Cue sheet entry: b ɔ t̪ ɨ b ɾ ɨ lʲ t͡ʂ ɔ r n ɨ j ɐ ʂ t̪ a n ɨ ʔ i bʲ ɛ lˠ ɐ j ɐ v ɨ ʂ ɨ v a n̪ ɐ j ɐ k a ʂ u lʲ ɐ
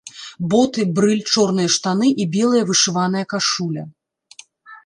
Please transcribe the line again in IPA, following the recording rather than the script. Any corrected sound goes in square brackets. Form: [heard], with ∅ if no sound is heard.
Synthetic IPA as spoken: b ɔ t̪ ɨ b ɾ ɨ lʲ t͡ʂ ɔ r n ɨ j ɐ ʂ t̪ a n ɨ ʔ i bʲ ɛ lˠ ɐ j ɐ v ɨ ʂ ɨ v a n̪ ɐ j ɐ k a ʂ u lʲ ɐ